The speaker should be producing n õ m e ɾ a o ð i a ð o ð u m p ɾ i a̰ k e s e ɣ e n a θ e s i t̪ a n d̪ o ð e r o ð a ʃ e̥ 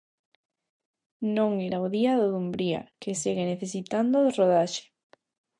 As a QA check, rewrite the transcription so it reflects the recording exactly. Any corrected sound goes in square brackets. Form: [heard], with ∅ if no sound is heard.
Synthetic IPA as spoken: n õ [ŋ] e ɾ a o ð i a ð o ð u m [b] ɾ i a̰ k e s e ɣ e n [e] θ e s i t̪ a n d̪ o ð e r o ð a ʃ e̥